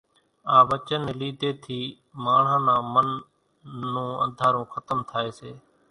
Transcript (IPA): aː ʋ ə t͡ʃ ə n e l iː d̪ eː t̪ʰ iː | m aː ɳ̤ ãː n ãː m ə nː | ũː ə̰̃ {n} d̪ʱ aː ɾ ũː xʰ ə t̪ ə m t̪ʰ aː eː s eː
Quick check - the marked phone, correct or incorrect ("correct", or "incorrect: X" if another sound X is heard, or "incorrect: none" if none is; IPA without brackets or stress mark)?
correct